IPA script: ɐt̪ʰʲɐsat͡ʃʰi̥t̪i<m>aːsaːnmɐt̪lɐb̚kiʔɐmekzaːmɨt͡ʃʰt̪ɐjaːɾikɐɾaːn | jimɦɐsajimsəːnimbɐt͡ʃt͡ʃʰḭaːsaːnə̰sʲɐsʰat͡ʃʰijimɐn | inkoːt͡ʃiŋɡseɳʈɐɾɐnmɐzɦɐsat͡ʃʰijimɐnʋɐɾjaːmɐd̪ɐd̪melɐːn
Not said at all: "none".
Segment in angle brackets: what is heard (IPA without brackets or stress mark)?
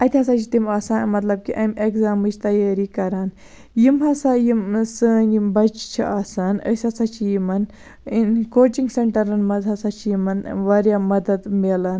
m